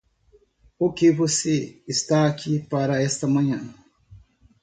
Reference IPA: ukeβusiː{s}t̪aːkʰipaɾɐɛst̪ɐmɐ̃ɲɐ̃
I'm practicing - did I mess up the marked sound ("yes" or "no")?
no